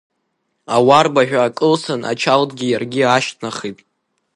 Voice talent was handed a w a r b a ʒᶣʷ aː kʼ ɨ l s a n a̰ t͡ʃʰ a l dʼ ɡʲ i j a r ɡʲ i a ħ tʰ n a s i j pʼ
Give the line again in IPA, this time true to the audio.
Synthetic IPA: a w a r b a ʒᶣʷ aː kʼ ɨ l s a n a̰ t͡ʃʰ a l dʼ ɡʲ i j a r ɡʲ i a ʃ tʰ n a χ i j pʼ

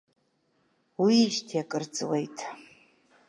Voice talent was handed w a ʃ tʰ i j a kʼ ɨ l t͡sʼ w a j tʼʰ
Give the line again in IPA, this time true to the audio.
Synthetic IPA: w i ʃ tʰ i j a kʼ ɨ r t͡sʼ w e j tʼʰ

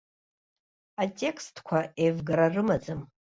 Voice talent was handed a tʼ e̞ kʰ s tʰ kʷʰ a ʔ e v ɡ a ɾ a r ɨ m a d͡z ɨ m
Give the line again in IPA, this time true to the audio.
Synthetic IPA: a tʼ e̞ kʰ s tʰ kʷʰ a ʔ e v ɡ a ɾ a r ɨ m a d͡z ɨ m

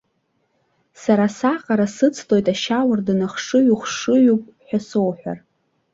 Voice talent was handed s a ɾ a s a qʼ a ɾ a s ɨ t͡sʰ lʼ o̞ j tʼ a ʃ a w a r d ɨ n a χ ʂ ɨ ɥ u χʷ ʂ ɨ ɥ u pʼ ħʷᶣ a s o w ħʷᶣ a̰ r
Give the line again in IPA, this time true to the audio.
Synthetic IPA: s a ɾ a s a qʼ a ɾ a s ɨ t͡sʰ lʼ o̞ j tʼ a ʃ a w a r d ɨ n a χ ʂ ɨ ɥ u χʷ ʂ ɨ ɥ u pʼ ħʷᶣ a s o w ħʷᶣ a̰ r

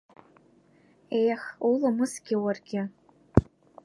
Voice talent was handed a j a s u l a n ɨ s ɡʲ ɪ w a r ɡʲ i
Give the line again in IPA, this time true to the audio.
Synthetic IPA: e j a χ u l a m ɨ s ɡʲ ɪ w a r ɡʲ ɪ

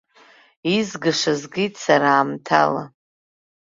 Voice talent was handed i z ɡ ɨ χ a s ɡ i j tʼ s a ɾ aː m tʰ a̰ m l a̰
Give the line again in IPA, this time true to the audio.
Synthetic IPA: i z ɡ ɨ ʂ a z ɡ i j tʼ s a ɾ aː m tʰ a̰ l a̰

